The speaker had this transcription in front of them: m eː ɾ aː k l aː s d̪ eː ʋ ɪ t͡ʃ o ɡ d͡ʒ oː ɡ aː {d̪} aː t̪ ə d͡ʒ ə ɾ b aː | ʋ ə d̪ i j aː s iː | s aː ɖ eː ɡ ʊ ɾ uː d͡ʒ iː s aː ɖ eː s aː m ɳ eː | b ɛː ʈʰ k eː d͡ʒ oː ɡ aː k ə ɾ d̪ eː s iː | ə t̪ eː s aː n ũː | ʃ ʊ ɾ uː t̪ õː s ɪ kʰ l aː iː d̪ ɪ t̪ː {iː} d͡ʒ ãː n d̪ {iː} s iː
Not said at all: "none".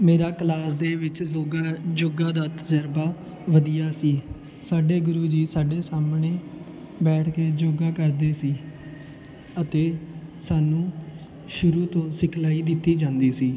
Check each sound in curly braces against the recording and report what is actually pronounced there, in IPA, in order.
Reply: d̪, iː, iː

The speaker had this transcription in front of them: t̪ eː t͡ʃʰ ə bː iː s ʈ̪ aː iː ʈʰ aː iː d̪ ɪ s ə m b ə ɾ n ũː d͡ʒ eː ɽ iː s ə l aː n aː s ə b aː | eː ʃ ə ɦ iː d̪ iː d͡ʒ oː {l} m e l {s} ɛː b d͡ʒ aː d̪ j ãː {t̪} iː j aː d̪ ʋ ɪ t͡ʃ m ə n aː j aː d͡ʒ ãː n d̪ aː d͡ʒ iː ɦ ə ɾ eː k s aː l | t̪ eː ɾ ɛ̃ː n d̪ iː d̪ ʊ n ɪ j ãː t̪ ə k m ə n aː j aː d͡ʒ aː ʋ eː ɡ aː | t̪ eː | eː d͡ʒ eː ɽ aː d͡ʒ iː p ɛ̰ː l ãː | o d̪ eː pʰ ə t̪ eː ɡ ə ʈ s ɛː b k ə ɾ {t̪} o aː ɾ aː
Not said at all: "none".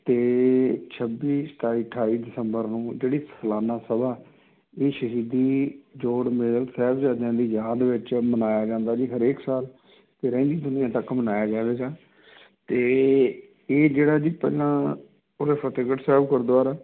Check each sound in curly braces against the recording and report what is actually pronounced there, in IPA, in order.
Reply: ɽ, s, d̪, d̪

